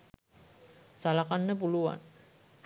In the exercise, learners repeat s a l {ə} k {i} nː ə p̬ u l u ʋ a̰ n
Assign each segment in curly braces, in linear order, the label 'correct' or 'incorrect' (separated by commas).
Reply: incorrect, incorrect